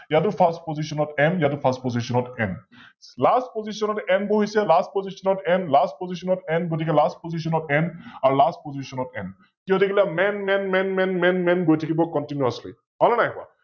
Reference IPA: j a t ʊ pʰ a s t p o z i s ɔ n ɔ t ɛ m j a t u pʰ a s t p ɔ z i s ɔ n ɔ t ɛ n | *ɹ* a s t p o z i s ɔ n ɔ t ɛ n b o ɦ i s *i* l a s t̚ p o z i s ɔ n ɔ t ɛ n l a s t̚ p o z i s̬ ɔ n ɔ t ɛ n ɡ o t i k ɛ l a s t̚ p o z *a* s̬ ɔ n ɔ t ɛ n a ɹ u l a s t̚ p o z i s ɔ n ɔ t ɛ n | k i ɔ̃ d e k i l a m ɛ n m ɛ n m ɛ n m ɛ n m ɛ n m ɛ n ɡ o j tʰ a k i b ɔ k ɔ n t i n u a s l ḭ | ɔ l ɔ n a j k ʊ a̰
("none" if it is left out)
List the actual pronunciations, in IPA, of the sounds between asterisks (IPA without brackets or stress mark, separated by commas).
l, ɛ, i